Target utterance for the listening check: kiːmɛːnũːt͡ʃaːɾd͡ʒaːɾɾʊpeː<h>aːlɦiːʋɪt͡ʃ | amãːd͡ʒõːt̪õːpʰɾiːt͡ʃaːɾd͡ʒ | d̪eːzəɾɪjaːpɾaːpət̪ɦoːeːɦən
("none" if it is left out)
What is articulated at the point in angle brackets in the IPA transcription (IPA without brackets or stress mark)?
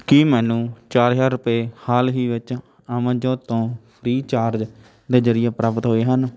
h